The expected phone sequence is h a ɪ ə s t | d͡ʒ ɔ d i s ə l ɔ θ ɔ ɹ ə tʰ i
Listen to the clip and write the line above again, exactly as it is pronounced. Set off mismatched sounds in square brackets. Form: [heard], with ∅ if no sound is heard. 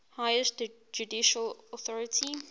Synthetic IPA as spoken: h a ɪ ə s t | d͡ʒ [u] d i [ʃ] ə l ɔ θ ɔ ɹ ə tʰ i